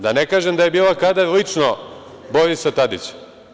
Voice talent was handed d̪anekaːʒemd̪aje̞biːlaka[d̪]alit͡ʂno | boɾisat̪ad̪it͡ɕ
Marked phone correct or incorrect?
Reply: correct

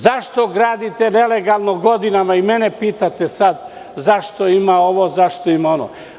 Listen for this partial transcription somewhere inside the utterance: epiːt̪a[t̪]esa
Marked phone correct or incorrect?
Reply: correct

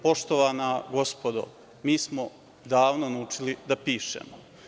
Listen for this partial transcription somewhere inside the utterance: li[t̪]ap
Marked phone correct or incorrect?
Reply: incorrect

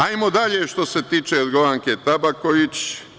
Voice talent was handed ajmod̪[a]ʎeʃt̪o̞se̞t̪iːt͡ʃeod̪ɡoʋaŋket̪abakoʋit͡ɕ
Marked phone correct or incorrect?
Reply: correct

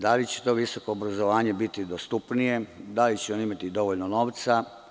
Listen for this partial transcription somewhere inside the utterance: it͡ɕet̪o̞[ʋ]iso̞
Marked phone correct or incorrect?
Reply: correct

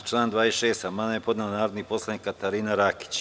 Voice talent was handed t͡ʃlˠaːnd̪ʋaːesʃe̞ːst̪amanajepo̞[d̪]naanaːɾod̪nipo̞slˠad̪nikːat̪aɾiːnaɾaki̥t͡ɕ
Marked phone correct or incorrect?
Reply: correct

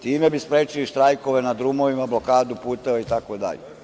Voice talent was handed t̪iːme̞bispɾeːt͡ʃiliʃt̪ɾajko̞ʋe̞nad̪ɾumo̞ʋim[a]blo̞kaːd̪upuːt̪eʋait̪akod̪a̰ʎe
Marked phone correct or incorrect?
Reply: correct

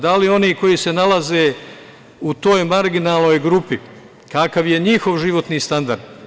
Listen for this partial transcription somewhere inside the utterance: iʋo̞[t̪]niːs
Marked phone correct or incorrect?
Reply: correct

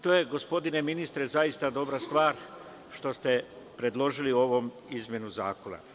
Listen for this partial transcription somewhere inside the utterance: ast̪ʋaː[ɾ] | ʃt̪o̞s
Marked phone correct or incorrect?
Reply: correct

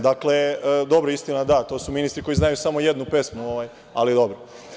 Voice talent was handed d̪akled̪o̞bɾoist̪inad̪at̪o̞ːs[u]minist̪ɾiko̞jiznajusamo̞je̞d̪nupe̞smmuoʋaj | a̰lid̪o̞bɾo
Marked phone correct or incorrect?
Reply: correct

